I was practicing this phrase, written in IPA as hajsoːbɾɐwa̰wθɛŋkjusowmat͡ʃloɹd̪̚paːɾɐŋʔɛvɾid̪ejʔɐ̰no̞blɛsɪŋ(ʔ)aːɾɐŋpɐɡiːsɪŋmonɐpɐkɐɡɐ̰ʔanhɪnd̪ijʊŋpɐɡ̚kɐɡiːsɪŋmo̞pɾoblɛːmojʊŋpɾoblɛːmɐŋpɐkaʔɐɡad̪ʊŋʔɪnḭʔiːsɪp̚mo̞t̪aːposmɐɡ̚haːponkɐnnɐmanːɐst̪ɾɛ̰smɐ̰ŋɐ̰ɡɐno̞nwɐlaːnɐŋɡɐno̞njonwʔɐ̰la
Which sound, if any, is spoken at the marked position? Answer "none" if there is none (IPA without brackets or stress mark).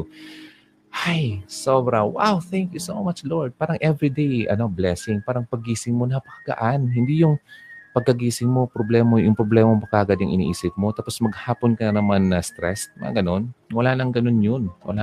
p